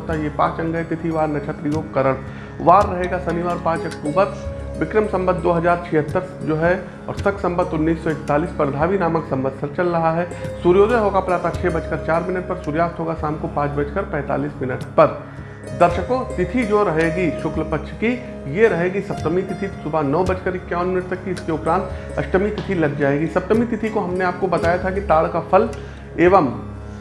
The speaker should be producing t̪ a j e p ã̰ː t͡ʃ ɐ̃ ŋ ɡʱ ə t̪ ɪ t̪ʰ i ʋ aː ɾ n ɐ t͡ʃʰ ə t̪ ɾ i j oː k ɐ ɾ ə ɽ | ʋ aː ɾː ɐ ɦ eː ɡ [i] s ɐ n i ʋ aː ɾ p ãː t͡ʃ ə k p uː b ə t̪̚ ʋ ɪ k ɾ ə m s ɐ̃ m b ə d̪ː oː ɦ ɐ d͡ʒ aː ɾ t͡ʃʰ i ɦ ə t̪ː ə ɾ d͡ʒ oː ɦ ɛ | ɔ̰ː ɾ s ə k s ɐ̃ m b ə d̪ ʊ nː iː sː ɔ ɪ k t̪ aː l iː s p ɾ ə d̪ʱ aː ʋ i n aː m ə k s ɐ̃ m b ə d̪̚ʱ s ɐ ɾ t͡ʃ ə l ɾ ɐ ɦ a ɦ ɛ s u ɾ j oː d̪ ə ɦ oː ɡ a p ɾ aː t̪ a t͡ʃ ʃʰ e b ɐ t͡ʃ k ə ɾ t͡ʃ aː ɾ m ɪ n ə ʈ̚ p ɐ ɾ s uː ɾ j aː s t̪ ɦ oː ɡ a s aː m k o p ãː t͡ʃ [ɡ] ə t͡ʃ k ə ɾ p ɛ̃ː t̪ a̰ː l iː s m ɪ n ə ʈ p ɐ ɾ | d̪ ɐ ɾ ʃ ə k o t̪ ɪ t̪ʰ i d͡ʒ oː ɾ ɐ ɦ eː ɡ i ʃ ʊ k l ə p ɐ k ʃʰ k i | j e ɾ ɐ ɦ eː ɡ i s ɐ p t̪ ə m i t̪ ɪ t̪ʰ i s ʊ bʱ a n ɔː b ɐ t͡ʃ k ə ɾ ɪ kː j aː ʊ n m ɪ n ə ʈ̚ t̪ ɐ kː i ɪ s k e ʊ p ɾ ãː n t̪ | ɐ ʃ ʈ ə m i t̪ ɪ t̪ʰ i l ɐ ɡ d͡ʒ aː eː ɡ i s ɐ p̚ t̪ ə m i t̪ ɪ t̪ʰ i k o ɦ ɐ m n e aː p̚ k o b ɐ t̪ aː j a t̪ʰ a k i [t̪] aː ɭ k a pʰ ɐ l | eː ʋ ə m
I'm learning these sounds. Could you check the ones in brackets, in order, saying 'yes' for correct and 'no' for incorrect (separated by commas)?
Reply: no, no, yes